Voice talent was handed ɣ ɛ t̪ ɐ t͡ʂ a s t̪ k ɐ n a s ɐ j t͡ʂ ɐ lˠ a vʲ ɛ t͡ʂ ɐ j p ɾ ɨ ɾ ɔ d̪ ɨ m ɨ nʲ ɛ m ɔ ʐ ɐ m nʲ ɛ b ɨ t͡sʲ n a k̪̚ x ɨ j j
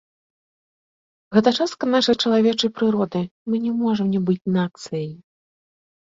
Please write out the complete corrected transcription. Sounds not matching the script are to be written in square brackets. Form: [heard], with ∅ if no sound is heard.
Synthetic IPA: ɣ ɛ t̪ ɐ t͡ʂ a s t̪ k ɐ n a [ʂ] ɐ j t͡ʂ ɐ lˠ a vʲ ɛ t͡ʂ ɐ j p ɾ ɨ ɾ ɔ d̪ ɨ m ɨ nʲ ɛ m ɔ ʐ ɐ m nʲ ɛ b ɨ t͡sʲ n a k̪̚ [s] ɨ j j